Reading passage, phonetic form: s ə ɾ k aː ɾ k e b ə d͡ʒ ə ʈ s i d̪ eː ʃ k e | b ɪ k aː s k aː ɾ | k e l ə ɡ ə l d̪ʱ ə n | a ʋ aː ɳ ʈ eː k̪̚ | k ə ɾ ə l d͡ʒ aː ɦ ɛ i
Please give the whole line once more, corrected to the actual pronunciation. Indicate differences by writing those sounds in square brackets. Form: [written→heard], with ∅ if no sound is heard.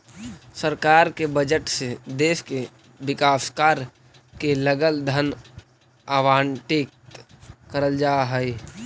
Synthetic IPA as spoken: s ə ɾ k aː ɾ k e b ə d͡ʒ ə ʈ s [i→e] d̪ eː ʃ k e | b ɪ k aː s k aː ɾ | k e l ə ɡ ə l d̪ʱ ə n | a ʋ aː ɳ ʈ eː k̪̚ | k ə ɾ ə l d͡ʒ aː ɦ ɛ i